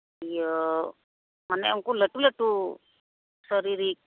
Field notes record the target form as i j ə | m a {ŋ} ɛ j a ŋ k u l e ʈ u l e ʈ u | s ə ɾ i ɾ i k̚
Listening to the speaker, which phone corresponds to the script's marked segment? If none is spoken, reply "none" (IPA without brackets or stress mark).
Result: n